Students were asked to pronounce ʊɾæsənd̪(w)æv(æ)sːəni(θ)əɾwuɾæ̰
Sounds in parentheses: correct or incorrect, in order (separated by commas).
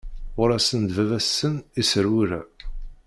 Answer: incorrect, correct, incorrect